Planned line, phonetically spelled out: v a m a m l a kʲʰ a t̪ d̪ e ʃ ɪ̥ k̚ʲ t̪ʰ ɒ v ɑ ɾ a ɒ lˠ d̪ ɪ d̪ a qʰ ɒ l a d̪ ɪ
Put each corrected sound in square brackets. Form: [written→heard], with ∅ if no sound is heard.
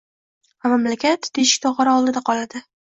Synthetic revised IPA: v a m a m l a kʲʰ a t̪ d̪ e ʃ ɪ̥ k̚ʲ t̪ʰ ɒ [v→ʁ] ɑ ɾ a ɒ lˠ d̪ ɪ d̪ a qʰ ɒ l a d̪ ɪ